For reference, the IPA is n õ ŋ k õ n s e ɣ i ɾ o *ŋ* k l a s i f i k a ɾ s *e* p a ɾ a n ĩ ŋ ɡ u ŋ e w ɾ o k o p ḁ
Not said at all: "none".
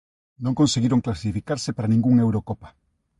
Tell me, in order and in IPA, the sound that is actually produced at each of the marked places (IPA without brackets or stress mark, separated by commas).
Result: ŋ, e